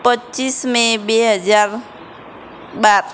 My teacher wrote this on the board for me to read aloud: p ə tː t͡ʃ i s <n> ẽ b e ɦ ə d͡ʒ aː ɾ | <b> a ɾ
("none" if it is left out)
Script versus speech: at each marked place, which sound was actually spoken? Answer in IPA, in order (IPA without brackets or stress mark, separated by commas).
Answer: m, b